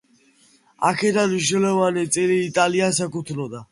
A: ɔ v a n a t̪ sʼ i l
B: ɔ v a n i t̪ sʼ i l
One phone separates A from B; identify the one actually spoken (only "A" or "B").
B